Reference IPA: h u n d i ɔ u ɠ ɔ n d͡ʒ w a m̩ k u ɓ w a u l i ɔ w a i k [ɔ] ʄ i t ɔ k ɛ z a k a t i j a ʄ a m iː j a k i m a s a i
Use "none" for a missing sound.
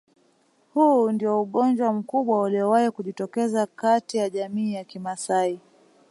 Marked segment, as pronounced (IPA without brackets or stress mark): u